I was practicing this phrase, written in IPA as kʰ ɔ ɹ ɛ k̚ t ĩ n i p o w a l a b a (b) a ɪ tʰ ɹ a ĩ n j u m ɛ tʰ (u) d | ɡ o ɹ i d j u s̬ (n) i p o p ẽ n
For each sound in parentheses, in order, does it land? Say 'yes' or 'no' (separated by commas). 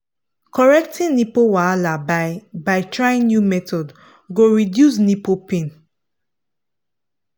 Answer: yes, no, yes